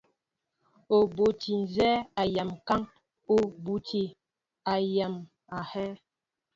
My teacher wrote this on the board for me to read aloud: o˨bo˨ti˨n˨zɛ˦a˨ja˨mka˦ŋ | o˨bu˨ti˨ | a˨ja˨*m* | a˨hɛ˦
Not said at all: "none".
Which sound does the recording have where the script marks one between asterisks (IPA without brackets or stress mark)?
m